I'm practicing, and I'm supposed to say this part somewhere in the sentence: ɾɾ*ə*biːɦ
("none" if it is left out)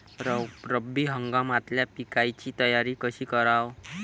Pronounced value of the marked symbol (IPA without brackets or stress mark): ə